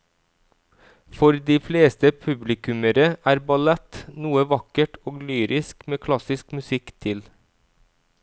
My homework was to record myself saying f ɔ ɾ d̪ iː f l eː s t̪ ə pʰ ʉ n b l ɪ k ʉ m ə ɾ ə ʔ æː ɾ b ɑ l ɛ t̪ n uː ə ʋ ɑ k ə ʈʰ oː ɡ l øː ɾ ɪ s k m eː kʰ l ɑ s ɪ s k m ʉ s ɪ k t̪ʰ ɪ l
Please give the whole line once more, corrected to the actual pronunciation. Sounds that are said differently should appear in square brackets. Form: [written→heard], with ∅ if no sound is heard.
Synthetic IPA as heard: f ɔ ɾ d̪ iː f l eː s t̪ ə pʰ ʉ [n→∅] b l ɪ k ʉ m ə ɾ ə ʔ æː ɾ b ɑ l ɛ t̪ n uː ə ʋ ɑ k ə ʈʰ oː ɡ l [øː→yː] ɾ ɪ s k m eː kʰ l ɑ s ɪ s k m ʉ s ɪ k t̪ʰ ɪ l